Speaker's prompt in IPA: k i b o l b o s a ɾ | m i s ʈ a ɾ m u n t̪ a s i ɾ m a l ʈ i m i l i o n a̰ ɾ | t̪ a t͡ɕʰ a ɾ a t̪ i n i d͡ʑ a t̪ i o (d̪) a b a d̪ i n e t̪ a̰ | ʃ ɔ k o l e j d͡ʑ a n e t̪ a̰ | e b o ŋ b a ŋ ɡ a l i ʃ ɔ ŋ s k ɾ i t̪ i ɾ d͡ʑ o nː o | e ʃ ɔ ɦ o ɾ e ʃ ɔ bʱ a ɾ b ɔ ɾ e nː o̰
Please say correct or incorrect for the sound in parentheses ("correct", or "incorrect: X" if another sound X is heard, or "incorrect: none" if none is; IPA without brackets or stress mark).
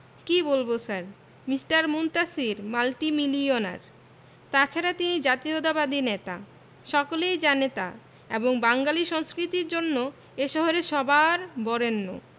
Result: correct